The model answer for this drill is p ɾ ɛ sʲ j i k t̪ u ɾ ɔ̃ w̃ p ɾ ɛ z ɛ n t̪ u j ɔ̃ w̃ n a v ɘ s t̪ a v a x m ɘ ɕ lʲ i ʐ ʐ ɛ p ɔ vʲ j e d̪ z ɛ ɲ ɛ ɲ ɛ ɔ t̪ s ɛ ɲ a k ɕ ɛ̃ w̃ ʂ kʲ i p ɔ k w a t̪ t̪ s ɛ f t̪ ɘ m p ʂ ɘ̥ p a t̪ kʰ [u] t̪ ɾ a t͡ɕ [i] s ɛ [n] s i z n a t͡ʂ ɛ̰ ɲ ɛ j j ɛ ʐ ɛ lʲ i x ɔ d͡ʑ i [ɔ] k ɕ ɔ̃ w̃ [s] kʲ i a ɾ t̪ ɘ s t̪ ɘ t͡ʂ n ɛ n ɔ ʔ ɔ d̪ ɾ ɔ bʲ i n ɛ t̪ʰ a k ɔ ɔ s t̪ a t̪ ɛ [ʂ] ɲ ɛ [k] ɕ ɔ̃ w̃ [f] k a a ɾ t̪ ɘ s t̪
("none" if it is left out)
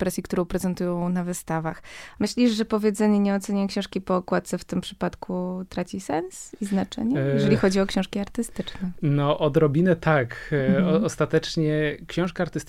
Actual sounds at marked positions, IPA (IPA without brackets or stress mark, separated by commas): u, i, n, ɔ, ʂ, t͡ʂ, k, ʂ